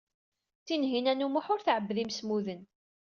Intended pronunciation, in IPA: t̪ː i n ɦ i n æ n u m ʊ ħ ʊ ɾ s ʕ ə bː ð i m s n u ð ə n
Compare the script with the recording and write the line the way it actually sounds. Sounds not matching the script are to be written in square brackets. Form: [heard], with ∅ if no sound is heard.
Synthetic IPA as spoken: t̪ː i n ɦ i n æ n u m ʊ ħ ʊ ɾ [θ] ʕ ə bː ð i m s [m] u ð ə n